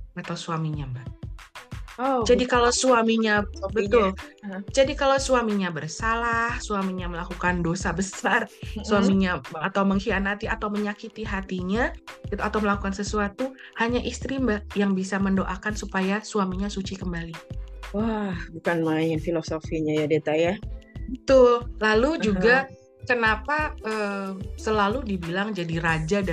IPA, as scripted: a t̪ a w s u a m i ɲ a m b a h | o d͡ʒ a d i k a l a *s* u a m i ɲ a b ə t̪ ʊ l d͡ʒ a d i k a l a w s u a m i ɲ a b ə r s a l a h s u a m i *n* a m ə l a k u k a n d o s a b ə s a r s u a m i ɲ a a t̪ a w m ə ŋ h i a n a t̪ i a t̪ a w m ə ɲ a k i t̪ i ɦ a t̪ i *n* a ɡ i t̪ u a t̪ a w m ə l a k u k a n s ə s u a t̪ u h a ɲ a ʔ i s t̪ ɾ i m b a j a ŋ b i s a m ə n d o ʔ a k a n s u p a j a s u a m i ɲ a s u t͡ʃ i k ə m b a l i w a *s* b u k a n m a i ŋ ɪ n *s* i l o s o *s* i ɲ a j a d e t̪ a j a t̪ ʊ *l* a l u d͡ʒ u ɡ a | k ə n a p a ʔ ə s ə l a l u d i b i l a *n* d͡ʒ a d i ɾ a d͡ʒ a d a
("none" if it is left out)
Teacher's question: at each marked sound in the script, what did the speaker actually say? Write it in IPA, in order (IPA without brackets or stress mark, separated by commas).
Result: s, ɲ, ɲ, h, f, f, l, ŋ